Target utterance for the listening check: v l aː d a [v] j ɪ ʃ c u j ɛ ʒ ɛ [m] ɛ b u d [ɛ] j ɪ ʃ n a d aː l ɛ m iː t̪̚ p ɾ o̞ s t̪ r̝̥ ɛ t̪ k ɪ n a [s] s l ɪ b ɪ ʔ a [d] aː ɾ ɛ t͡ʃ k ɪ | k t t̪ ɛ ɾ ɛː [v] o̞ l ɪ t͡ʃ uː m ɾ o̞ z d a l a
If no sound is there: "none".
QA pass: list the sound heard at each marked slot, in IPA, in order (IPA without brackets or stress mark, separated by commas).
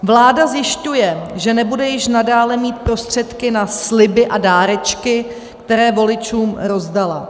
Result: z, n, ɛ, s, d, v